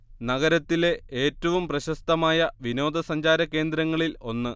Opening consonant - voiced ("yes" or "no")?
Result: yes